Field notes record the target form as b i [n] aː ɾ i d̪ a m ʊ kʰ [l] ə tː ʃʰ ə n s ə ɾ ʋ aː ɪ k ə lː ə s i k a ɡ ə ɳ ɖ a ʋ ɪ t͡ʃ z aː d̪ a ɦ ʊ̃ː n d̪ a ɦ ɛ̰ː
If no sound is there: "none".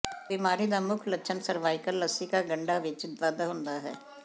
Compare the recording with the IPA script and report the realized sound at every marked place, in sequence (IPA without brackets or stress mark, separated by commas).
m, l